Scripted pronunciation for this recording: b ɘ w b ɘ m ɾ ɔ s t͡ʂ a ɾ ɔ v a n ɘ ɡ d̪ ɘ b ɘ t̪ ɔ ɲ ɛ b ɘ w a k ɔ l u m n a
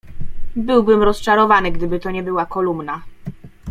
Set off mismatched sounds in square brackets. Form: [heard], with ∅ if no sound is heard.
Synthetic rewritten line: b ɘ w b ɘ m ɾ ɔ s t͡ʂ a ɾ ɔ v a n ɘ ɡ d̪ ɘ b ɘ t̪ ɔ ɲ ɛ b ɘ w a k ɔ l u m n a